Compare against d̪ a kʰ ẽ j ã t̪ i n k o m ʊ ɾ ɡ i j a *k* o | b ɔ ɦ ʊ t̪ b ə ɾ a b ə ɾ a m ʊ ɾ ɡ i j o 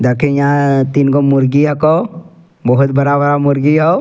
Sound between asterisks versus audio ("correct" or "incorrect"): correct